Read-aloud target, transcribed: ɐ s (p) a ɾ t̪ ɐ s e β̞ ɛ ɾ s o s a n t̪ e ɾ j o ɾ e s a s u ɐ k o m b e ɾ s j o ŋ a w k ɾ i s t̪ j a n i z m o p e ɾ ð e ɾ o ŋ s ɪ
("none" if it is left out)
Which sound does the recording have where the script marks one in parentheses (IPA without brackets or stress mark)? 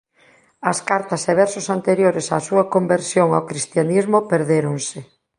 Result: k